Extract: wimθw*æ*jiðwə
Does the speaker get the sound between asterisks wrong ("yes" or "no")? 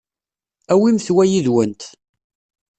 no